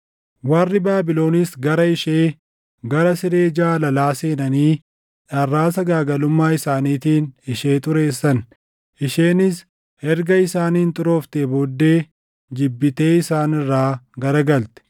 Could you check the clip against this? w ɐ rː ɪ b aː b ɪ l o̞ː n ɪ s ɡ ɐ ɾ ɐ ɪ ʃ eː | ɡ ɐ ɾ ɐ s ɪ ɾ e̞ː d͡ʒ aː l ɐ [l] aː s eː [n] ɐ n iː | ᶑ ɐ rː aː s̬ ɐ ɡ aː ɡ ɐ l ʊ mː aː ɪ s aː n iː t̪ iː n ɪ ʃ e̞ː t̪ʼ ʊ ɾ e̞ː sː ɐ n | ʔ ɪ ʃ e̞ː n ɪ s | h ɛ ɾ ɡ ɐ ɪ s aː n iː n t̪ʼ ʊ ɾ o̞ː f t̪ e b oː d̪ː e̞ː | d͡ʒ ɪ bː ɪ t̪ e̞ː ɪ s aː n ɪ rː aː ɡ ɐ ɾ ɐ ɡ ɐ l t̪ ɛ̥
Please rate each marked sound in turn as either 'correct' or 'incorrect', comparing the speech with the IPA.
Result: correct, correct

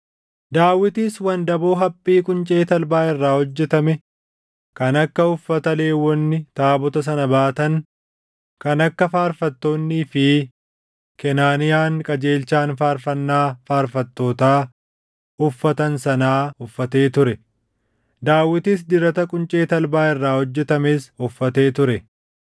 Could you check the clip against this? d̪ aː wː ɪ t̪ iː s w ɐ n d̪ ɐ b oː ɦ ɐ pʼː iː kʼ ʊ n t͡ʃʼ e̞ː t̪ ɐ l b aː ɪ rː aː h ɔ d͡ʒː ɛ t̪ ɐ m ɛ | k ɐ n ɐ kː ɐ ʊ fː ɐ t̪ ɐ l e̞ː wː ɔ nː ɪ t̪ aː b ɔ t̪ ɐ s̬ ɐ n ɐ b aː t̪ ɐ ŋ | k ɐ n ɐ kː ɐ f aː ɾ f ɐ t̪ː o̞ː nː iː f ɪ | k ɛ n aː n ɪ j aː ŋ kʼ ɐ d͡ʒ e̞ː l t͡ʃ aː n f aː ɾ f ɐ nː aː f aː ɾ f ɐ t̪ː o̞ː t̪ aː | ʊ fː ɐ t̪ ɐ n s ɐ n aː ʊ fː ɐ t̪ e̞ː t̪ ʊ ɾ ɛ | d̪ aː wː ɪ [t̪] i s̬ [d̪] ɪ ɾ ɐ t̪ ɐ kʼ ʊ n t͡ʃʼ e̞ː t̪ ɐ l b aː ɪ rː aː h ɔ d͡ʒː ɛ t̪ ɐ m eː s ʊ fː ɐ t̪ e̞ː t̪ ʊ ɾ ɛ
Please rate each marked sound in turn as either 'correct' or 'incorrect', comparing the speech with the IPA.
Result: correct, correct

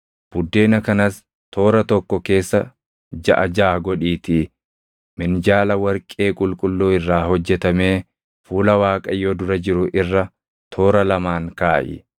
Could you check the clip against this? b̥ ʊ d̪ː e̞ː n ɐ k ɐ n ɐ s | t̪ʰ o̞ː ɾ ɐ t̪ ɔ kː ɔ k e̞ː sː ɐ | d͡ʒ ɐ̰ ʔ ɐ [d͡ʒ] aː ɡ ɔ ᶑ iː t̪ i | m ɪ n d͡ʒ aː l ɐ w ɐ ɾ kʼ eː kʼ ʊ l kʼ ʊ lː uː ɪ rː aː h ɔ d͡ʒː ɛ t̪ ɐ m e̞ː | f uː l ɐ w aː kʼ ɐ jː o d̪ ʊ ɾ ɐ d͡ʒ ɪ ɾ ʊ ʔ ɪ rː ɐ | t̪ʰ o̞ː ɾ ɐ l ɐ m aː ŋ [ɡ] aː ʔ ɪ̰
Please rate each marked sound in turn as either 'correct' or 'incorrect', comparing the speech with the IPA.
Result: correct, incorrect

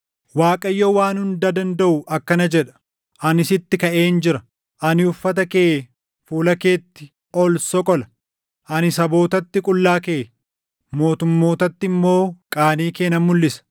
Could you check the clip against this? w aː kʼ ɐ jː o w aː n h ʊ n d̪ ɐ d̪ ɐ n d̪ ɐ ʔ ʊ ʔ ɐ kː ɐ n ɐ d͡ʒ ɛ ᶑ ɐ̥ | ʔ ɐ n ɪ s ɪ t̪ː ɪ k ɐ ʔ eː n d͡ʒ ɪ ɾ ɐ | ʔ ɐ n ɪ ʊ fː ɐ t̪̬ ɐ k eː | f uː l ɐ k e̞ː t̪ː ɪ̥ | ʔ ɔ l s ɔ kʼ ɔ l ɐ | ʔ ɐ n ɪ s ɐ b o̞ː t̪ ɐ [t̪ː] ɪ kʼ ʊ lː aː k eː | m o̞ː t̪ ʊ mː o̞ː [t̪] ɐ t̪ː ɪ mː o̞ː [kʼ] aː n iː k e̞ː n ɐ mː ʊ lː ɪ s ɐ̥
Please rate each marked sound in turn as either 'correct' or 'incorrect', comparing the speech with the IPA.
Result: correct, correct, correct

